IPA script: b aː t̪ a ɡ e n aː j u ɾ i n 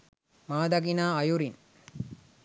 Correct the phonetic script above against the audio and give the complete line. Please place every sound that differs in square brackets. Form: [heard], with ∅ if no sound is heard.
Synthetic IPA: [m] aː [d̪] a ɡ [i] n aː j u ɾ i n